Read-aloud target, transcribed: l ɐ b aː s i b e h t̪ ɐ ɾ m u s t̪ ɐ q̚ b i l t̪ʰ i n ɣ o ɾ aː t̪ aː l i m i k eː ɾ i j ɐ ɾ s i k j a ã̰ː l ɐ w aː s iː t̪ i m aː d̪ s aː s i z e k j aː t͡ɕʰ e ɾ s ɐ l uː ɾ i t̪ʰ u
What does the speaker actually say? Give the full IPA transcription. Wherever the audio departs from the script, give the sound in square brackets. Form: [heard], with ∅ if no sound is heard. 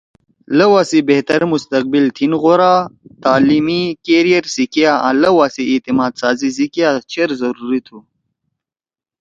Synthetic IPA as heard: l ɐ [w] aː s i b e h t̪ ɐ ɾ m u s t̪ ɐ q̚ b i l t̪ʰ i n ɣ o ɾ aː t̪ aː l i m i k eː ɾ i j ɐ ɾ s i k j a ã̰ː l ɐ w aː s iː t̪ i m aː d̪ s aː [z] i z [i] k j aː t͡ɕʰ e ɾ [z] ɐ [ɾ] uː ɾ i t̪ʰ u